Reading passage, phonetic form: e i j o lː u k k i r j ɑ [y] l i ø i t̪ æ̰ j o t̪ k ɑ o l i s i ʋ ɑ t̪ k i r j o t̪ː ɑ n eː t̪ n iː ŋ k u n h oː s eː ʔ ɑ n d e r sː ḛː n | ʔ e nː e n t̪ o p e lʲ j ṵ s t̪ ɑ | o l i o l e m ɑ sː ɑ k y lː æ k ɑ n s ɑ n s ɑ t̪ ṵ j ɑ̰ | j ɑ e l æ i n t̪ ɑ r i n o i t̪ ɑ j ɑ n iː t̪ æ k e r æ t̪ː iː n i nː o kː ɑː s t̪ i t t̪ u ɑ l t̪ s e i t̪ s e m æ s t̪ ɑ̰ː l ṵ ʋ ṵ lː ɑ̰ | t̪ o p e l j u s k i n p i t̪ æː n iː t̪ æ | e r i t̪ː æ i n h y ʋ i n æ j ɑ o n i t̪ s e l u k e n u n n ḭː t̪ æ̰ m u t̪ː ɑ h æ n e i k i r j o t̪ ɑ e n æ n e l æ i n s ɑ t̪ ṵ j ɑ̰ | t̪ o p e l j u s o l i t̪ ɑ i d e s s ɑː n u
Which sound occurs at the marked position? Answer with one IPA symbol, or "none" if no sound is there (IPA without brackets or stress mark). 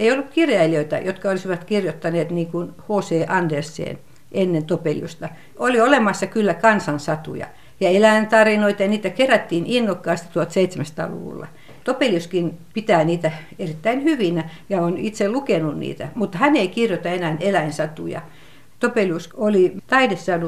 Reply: i